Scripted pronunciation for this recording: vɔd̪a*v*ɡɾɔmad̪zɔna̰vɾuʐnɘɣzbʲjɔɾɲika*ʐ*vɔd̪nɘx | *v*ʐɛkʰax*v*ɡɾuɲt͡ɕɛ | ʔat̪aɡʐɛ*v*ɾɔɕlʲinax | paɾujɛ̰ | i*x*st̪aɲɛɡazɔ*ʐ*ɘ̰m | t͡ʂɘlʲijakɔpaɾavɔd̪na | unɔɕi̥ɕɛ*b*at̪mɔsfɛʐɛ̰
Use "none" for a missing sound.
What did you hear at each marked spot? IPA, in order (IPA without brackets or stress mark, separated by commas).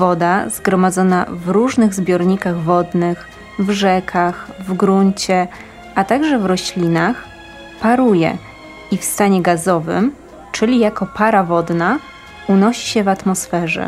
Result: z, ɣ, v, v, v, f, v, v